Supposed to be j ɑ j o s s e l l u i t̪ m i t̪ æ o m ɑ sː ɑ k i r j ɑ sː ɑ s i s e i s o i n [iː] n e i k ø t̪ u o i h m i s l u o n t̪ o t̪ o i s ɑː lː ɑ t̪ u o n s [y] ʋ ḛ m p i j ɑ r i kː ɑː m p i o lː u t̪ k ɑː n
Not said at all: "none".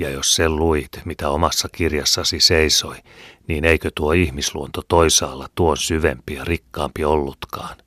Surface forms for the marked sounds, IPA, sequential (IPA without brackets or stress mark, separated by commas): iː, y